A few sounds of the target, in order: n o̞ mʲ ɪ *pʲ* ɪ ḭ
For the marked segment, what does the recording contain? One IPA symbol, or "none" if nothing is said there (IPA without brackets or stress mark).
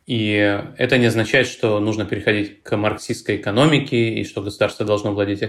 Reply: kʲ